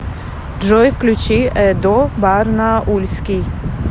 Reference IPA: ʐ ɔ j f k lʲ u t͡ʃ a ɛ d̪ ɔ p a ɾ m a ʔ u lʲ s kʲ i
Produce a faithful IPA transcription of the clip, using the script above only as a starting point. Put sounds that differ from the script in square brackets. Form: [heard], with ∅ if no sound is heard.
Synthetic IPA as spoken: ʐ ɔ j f k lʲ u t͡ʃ [i] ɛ d̪ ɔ [b] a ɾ [n] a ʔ u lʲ s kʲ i